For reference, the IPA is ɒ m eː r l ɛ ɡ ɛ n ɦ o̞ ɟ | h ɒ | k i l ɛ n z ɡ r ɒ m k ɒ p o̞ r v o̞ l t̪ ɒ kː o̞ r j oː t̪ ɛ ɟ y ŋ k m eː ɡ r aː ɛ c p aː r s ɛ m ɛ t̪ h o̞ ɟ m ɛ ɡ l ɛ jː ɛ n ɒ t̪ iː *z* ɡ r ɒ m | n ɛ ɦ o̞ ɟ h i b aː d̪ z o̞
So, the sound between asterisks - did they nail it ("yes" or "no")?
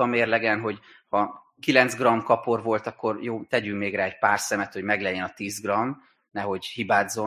yes